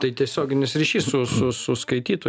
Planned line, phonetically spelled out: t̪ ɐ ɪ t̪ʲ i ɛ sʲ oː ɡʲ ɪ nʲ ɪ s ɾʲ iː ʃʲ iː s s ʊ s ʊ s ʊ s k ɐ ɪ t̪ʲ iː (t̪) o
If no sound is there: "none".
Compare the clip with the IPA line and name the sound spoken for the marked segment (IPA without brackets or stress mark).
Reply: t̪